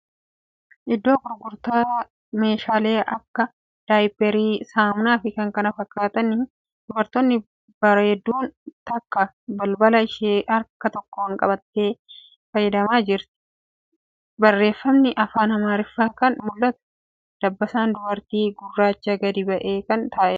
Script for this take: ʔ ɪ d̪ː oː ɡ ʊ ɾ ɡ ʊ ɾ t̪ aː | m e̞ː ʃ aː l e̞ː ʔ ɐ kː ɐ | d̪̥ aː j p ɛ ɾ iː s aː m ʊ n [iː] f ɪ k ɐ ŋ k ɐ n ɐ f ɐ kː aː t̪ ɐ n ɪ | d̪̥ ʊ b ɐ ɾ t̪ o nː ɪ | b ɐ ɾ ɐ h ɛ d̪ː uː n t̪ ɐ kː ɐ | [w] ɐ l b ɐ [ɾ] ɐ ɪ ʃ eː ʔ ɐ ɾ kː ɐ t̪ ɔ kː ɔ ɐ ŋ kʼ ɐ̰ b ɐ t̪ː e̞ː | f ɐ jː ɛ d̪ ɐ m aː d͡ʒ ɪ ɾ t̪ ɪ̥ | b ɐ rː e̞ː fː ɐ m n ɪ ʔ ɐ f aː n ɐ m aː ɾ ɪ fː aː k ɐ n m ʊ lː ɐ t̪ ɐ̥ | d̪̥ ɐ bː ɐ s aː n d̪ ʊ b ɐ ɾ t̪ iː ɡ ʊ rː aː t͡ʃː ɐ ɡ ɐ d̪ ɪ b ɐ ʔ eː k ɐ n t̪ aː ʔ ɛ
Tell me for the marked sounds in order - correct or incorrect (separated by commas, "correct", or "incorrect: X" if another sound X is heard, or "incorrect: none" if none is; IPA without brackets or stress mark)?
incorrect: aː, incorrect: b, incorrect: l